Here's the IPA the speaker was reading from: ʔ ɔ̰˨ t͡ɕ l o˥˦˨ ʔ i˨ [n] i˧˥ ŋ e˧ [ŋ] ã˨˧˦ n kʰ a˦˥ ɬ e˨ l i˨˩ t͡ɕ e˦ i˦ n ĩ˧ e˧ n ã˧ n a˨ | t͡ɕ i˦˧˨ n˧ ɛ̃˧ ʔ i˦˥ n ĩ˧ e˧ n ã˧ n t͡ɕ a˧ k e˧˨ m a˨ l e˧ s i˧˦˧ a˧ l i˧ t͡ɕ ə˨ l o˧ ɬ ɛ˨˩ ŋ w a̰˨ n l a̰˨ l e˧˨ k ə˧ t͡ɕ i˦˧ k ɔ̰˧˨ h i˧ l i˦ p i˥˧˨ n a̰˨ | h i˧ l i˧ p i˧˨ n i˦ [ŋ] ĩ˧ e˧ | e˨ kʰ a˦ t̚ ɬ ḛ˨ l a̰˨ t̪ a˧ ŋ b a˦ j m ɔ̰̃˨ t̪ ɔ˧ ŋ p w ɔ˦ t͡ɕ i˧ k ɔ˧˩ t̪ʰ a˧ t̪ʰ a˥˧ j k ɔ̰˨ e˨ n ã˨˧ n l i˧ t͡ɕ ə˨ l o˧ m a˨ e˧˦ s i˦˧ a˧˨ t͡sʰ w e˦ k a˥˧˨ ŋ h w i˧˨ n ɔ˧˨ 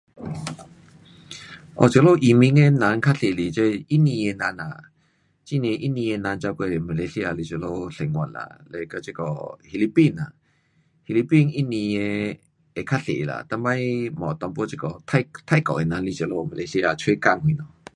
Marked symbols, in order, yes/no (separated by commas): no, no, no